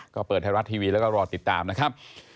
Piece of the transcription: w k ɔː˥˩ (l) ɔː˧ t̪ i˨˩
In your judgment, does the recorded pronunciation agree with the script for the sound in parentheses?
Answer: no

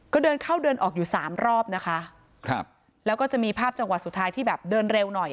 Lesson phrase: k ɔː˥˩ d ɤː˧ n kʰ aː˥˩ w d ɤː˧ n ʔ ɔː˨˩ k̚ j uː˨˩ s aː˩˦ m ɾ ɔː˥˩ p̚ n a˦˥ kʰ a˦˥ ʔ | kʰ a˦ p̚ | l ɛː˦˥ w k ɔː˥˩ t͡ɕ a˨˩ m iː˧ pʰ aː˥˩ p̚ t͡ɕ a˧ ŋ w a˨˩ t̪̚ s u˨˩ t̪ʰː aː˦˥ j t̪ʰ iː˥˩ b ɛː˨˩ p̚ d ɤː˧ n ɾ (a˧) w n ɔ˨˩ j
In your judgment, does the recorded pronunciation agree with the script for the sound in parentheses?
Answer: no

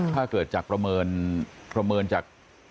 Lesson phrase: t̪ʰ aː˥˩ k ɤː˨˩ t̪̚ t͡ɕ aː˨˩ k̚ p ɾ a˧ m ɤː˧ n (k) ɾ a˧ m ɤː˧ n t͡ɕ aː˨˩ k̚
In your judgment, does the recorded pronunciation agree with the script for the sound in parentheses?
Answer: no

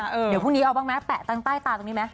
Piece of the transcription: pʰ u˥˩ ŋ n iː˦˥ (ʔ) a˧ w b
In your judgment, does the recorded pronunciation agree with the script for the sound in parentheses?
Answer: yes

